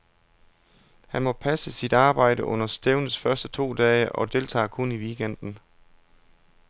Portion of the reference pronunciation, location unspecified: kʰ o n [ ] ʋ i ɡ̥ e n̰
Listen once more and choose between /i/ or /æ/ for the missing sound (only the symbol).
i